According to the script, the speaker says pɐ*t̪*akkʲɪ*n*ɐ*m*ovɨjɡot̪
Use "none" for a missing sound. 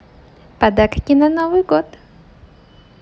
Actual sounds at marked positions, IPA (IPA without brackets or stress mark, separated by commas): d̪, n, n